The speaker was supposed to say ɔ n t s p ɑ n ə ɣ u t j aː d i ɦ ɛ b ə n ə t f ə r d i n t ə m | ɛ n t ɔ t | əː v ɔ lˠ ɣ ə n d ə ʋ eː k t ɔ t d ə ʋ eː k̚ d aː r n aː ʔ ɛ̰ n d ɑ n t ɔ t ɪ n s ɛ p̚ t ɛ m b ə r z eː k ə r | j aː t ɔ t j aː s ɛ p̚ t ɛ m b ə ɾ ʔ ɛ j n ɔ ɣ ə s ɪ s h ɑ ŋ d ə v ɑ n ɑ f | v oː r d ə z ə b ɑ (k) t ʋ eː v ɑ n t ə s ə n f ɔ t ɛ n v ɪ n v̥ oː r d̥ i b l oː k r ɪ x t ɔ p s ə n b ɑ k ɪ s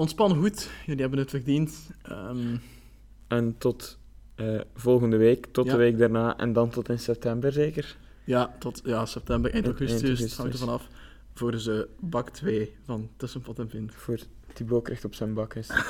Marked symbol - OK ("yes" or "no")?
yes